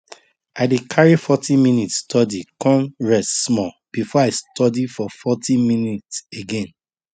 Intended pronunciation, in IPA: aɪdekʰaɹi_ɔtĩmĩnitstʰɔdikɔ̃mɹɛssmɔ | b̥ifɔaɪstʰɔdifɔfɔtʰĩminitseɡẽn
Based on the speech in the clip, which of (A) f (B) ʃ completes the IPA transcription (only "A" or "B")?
A